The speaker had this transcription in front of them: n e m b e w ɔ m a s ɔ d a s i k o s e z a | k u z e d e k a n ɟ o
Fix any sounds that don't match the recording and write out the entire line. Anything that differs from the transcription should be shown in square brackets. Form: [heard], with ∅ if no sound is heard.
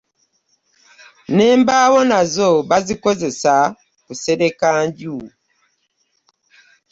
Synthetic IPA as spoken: n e m b [a] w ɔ [n] a [z] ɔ [b] a [z] i k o [z] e [s] a | k u [s] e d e k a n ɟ [u]